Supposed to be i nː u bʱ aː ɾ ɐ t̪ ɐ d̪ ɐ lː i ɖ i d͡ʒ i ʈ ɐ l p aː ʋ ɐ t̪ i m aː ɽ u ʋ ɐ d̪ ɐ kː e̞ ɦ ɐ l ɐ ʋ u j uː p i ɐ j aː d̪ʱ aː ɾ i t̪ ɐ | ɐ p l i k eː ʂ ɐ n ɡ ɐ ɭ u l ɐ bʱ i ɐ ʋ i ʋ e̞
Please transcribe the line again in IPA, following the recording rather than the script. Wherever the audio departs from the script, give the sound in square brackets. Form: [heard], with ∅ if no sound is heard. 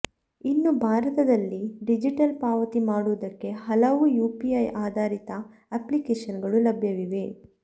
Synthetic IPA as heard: i nː u bʱ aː ɾ ɐ t̪ ɐ d̪ ɐ lː i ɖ i d͡ʒ i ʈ ɐ l p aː ʋ ɐ t̪ i m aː ɽ u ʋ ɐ d̪ ɐ kː e̞ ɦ ɐ l ɐ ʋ u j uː p i ɐ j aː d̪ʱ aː ɾ i t̪ ɐ | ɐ p l i k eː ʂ ɐ n ɡ ɐ ɭ u l ɐ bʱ [j] ɐ ʋ i ʋ e̞

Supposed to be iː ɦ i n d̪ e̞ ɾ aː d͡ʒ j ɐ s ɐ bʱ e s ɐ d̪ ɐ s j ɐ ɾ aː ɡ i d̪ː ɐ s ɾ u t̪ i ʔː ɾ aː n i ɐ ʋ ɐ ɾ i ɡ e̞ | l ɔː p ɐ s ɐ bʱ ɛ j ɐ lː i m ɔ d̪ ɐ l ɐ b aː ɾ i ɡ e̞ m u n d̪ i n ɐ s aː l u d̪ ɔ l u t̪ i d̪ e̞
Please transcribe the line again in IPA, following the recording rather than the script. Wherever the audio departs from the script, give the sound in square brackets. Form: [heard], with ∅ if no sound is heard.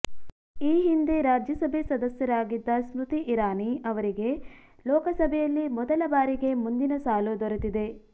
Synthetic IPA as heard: iː ɦ i n d̪ e̞ ɾ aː d͡ʒ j ɐ s ɐ bʱ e s ɐ d̪ ɐ s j ɐ ɾ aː ɡ i d̪ː ɐ s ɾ u t̪ i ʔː ɾ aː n i ɐ ʋ ɐ ɾ i ɡ e̞ | l ɔː [k] ɐ s ɐ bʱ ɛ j ɐ lː i m ɔ d̪ ɐ l ɐ b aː ɾ i ɡ e̞ m u n d̪ i n ɐ s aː l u d̪ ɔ [ɾ] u t̪ i d̪ e̞

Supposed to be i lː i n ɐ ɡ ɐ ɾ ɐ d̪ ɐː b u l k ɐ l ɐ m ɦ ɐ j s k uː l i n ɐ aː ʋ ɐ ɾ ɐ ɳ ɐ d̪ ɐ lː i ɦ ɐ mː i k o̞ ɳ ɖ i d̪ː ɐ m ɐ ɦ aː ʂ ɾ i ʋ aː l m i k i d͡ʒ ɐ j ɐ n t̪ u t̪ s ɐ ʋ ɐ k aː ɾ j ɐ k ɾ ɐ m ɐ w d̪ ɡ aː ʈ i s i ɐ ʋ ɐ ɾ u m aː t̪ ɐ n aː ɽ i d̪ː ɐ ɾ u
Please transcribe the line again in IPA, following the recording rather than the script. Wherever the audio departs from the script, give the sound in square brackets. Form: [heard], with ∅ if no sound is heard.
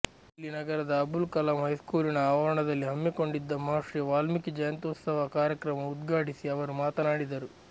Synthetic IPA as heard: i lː i n ɐ ɡ ɐ ɾ ɐ d̪ ɐː b u l k ɐ l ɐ m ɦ ɐ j s k uː l i n ɐ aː ʋ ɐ ɾ ɐ ɳ ɐ d̪ ɐ lː i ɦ ɐ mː i k o̞ ɳ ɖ i d̪ː ɐ m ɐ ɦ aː ʂ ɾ i ʋ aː l m i k i d͡ʒ ɐ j ɐ n t̪ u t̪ s ɐ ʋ ɐ k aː ɾ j ɐ k ɾ ɐ m ɐ [u] d̪ ɡ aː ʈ i s i ɐ ʋ ɐ ɾ u m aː t̪ ɐ n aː ɽ i [d̪] ɐ ɾ u

